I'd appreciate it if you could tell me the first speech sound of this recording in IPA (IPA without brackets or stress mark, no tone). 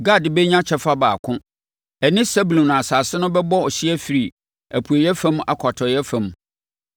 ɡ